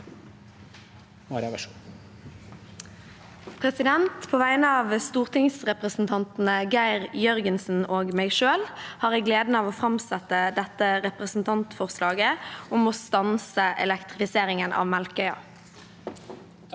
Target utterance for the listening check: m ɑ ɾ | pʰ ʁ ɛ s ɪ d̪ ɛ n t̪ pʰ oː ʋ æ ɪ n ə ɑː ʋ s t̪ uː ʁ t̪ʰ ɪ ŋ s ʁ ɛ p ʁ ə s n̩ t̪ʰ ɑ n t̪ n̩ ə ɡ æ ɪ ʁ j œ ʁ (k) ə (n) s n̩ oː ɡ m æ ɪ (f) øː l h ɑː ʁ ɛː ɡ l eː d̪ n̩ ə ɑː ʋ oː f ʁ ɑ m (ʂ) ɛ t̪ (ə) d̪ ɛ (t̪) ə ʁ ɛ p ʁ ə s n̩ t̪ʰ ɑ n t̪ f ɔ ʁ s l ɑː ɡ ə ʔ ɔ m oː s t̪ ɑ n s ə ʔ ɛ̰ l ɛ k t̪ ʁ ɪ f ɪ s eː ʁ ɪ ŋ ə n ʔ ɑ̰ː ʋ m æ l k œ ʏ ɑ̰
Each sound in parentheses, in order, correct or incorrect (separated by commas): incorrect, correct, incorrect, incorrect, correct, correct